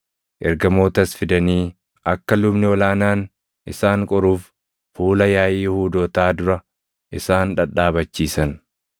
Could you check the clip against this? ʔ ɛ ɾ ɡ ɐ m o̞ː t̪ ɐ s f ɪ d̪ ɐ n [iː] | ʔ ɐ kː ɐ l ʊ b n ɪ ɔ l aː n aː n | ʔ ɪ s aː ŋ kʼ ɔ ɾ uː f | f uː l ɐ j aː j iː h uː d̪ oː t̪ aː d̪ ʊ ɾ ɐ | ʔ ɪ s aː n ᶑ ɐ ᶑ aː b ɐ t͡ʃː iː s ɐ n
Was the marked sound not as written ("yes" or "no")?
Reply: no